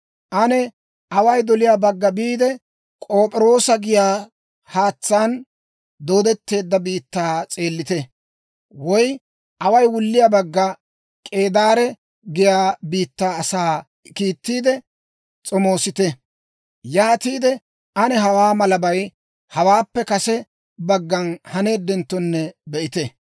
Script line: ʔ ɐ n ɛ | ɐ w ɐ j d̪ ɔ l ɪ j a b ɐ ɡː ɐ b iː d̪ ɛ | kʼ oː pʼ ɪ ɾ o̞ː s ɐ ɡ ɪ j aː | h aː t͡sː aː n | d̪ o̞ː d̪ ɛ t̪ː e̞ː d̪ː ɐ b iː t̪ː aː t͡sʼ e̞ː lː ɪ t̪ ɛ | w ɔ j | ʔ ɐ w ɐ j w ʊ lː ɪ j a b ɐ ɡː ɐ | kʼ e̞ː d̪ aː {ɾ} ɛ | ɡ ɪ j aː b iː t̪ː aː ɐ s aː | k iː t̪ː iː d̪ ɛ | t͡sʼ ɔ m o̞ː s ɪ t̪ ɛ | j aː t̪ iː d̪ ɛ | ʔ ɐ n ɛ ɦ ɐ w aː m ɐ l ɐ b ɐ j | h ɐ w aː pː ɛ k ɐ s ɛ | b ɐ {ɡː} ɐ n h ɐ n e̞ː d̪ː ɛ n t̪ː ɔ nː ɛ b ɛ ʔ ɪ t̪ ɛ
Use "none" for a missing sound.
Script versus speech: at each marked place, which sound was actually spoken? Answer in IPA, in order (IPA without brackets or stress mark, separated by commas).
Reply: ɾ, ɡː